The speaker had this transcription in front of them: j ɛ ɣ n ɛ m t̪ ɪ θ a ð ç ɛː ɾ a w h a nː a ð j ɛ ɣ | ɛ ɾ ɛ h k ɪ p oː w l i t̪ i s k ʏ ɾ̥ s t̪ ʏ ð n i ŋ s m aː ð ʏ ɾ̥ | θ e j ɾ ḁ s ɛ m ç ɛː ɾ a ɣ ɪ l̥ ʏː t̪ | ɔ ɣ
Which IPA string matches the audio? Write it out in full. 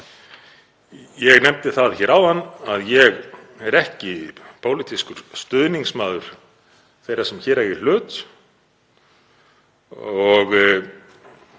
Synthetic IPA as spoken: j ɛ ɣ n ɛ m t̪ ɪ θ a ð ç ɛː ɾ a w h a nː a ð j ɛ ɣ | ɛ ɾ ɛ h c ɪ p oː w l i t̪ i s k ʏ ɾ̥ s t̪ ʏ ð n i ŋ s m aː ð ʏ ɾ̥ | θ e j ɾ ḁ s ɛ m ç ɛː ɾ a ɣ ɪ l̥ ʏː t̪ | ɔ ɣ